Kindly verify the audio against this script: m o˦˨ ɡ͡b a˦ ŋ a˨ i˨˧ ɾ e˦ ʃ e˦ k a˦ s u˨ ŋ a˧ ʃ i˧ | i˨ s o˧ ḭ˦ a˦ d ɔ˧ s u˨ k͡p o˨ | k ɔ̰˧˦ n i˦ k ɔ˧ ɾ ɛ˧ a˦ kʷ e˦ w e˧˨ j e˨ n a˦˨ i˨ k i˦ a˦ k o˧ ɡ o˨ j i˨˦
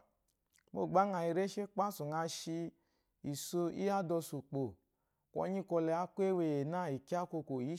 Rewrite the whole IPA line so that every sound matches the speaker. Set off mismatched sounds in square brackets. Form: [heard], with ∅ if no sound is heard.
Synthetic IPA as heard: m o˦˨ ɡ͡b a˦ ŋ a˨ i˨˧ ɾ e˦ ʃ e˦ [k͡p] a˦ s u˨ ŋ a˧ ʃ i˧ | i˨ s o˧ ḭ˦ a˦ d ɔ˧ s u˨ k͡p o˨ | k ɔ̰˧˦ [ɲ] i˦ k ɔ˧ [l] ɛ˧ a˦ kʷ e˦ w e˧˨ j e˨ n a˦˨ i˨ k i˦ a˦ k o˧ [k] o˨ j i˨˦